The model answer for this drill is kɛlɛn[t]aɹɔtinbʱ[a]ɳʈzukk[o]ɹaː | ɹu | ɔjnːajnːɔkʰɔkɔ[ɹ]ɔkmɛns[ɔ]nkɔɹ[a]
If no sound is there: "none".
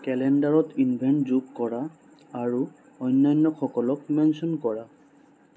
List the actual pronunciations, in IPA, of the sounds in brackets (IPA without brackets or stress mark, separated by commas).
d, ɛ, ɔ, l, ɔ, a